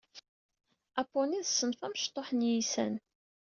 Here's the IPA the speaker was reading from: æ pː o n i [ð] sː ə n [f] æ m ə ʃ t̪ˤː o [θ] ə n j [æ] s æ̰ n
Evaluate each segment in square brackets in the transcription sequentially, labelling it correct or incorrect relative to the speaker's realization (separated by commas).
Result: correct, correct, incorrect, incorrect